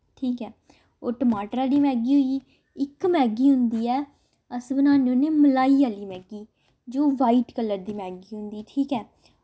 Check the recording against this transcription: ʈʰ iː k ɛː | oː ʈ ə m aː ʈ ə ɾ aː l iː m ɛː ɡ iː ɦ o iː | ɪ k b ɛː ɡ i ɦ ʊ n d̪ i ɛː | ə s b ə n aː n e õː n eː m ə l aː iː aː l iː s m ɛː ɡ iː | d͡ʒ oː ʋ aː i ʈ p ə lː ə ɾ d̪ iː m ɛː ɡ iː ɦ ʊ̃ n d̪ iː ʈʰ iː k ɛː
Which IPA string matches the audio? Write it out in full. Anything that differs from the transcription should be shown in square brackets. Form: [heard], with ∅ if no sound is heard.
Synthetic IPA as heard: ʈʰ iː k ɛː | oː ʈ ə m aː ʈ ə ɾ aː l iː m ɛː ɡ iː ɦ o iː | ɪ k [m] ɛː ɡ [iː] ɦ ʊ n d̪ [iː] ɛː | ə s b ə n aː n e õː n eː m ə l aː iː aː l iː [∅] m ɛː ɡ iː | d͡ʒ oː ʋ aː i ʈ [k] ə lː ə ɾ d̪ iː m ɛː ɡ iː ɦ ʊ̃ n d̪ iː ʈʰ iː k ɛː

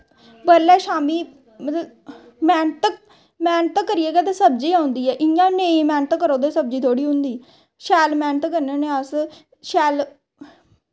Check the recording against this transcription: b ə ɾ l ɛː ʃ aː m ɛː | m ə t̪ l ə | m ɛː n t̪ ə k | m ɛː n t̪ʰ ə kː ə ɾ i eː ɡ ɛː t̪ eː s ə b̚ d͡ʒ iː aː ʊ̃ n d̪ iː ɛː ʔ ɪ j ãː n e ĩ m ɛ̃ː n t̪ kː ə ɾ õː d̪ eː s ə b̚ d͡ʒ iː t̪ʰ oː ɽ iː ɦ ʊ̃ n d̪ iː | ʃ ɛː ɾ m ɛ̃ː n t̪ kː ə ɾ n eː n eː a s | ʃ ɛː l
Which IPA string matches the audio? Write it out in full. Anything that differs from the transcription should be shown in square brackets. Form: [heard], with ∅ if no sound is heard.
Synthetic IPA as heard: b ə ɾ l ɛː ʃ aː m [iː] | m ə t̪ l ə | m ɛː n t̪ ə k | m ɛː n [t̪] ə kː ə ɾ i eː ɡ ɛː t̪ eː s ə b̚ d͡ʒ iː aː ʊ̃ n d̪ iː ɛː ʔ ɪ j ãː n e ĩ m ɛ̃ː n t̪ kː ə ɾ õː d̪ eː s ə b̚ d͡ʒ iː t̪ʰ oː ɽ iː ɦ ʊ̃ n d̪ iː | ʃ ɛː [l] m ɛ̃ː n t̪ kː ə ɾ n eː n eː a s | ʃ ɛː l

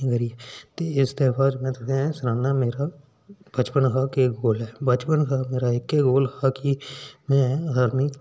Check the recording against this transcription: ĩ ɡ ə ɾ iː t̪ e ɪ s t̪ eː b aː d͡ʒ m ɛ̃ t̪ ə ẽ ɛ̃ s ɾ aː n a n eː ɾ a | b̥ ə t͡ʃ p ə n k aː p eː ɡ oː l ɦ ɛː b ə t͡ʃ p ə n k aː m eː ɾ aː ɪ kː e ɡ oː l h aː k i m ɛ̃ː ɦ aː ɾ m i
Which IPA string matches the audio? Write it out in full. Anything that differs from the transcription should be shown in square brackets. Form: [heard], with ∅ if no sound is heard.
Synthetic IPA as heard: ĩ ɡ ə ɾ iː t̪ e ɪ s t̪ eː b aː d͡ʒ m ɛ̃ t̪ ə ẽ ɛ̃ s ɾ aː n a [m] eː ɾ a | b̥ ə t͡ʃ p ə n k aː [k] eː ɡ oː l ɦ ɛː b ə t͡ʃ p ə n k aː m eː ɾ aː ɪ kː e ɡ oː l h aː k i m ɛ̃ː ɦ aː ɾ m i

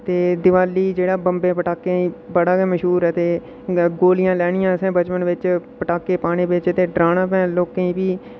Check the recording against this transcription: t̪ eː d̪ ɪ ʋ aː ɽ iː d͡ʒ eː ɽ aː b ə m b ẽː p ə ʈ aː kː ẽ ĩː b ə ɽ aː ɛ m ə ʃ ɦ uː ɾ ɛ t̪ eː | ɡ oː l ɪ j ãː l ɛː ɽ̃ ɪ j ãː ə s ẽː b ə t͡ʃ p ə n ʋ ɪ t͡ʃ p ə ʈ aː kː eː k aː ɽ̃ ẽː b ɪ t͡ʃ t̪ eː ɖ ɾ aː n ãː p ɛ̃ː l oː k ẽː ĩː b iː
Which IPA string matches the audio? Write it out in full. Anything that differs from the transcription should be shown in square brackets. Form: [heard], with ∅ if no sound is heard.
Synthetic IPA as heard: t̪ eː d̪ ɪ ʋ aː [l] iː d͡ʒ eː ɽ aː b ə m b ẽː p ə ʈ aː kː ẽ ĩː b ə ɽ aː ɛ m ə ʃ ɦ uː ɾ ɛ t̪ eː | ɡ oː l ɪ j ãː l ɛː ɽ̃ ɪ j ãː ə s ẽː b ə t͡ʃ p ə n ʋ ɪ t͡ʃ p ə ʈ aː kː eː [p] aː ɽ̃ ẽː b ɪ t͡ʃ t̪ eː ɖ ɾ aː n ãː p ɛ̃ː l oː k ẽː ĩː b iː

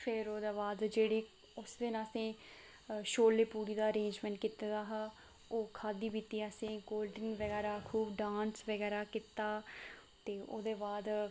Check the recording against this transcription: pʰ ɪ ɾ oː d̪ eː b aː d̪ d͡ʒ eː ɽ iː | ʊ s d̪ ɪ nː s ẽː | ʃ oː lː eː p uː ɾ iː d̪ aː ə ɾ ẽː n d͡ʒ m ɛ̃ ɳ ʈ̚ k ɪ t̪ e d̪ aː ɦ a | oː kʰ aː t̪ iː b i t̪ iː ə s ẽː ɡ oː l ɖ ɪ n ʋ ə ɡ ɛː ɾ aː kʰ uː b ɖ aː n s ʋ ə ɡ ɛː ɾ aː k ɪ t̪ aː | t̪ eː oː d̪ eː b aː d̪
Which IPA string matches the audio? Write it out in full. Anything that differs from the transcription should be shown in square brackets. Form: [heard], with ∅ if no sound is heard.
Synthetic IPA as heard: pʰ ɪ ɾ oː d̪ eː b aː d̪ d͡ʒ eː ɽ iː | ʊ s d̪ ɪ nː s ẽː | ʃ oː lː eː p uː ɾ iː d̪ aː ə ɾ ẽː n d͡ʒ m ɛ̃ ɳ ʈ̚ k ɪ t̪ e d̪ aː ɦ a | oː kʰ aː [d̪] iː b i t̪ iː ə s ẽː ɡ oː l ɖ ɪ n ʋ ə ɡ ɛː ɾ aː kʰ uː b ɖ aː n s ʋ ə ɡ ɛː ɾ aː k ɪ t̪ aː | t̪ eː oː d̪ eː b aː d̪

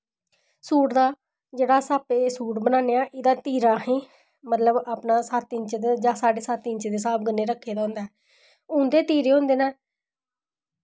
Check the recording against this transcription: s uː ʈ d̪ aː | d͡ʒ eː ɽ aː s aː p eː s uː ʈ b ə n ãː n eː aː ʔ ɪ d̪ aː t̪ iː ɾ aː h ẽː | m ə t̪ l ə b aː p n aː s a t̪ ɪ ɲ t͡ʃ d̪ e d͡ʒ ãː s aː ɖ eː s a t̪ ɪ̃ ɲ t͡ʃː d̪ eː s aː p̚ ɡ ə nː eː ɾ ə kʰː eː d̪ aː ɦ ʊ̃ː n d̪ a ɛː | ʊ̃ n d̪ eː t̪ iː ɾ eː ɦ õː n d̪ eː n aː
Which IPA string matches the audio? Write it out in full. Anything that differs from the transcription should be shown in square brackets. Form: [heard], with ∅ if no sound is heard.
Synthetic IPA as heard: s uː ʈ d̪ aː | d͡ʒ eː ɽ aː s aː p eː s uː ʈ b ə n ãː n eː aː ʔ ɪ d̪ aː t̪ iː ɾ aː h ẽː | m ə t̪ l ə b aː p n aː s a t̪ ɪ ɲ t͡ʃ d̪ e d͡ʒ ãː s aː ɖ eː s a t̪ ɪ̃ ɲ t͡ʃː d̪ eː s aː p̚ ɡ ə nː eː ɾ ə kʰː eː d̪ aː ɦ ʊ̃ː n d̪ a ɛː | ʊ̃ n d̪ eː t̪ iː ɾ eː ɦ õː n d̪ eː n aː

